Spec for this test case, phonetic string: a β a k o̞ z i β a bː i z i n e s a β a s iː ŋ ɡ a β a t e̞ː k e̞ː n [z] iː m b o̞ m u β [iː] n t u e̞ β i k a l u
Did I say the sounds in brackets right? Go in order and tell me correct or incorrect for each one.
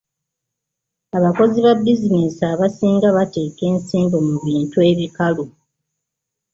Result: incorrect: s, correct

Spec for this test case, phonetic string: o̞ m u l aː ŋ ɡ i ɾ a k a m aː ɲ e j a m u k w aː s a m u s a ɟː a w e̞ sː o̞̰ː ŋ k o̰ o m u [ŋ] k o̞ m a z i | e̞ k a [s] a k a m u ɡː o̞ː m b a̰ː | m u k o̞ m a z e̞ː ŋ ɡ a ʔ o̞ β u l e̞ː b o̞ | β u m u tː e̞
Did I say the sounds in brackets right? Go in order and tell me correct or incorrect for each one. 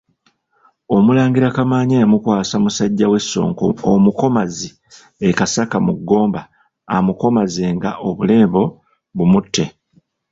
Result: incorrect: none, correct

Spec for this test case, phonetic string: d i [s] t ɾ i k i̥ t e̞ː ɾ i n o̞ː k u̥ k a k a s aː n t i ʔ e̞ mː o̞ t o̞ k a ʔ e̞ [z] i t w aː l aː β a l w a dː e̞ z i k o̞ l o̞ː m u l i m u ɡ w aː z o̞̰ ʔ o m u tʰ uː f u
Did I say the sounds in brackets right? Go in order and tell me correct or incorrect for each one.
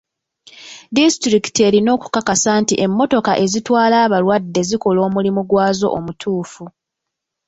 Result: correct, correct

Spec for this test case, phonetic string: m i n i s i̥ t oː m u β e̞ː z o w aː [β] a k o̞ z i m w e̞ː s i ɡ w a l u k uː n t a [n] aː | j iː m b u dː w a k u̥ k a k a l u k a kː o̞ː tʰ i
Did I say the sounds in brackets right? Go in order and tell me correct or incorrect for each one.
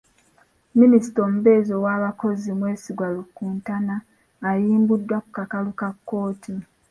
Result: correct, correct

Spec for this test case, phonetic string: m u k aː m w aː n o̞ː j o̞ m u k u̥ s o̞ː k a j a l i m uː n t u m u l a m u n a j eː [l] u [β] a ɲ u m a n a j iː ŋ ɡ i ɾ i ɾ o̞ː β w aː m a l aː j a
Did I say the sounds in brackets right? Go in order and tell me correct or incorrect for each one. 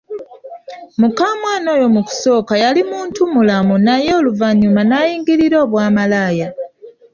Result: correct, incorrect: v

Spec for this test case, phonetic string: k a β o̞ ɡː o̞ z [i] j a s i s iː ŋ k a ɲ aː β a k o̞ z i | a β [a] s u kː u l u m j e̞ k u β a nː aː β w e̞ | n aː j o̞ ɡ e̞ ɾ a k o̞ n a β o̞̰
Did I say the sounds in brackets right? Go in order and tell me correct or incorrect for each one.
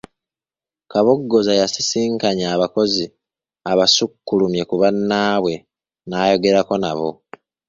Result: incorrect: a, correct

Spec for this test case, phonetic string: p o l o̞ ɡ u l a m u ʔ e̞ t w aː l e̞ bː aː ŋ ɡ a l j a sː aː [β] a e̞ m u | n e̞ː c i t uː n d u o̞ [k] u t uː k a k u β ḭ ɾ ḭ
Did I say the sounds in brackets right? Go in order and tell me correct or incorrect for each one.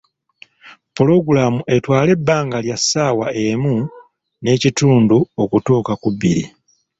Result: incorrect: w, correct

